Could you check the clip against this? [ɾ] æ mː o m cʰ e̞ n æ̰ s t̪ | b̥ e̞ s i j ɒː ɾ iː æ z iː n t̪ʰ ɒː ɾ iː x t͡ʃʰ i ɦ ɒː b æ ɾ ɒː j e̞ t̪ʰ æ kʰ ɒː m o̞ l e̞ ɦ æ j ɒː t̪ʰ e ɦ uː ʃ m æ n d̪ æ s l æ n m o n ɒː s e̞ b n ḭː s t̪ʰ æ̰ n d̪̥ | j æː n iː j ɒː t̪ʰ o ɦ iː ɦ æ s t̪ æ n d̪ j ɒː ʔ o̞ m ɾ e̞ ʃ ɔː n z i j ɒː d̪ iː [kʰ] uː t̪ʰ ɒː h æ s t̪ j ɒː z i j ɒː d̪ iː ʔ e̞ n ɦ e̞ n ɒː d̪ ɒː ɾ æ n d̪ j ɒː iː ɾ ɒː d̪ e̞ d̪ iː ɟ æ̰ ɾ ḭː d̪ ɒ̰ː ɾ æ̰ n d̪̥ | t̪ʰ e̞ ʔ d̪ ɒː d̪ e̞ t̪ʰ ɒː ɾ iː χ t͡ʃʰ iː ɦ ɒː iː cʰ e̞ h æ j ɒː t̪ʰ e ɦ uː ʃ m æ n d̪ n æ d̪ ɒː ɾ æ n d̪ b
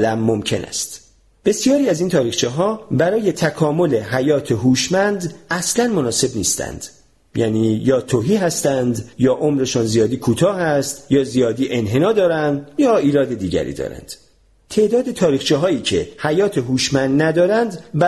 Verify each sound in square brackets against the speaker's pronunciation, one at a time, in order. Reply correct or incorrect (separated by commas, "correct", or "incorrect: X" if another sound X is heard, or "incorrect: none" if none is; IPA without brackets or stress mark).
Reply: incorrect: l, correct